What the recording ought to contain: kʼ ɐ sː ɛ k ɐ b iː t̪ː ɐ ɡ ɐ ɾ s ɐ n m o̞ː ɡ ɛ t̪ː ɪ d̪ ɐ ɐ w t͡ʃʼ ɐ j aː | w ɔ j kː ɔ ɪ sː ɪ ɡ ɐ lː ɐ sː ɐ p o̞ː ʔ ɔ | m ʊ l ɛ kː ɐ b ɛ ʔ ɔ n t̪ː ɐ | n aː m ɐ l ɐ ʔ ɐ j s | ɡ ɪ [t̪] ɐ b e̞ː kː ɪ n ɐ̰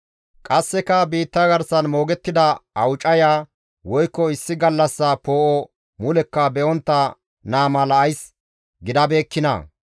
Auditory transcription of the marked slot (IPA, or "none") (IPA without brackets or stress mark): d̪